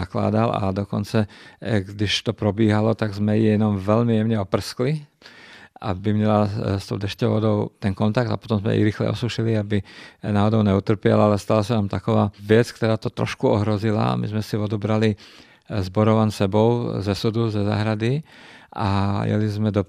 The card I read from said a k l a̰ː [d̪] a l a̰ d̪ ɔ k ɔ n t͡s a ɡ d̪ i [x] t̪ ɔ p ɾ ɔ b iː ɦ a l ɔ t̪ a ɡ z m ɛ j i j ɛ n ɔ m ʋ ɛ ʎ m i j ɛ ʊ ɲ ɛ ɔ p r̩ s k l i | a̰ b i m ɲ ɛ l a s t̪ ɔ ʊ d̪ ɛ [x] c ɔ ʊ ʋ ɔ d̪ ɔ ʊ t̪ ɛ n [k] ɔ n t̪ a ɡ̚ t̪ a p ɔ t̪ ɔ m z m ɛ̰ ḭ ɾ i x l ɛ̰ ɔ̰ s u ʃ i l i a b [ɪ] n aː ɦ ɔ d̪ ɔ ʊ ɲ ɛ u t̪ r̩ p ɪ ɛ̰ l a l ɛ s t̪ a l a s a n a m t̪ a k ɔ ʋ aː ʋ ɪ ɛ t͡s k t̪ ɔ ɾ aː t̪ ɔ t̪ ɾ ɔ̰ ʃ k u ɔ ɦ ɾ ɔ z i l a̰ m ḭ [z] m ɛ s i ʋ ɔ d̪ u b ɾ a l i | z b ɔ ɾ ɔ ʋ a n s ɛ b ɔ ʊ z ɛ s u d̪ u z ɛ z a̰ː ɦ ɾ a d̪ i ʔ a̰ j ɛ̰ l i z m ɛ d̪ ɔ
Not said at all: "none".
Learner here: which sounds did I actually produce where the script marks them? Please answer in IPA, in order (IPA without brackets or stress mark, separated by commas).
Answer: d̪, ʃ, ʃ, k, i, z